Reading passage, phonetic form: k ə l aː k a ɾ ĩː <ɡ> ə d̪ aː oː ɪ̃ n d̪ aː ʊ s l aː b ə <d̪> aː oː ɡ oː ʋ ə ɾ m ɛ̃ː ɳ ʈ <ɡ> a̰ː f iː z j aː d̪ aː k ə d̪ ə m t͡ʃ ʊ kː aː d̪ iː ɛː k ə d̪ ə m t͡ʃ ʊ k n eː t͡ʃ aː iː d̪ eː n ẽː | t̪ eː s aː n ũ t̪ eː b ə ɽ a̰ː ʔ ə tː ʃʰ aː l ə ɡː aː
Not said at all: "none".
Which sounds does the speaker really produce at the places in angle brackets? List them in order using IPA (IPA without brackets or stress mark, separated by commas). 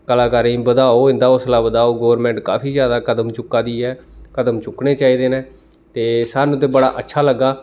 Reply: b, d̪, k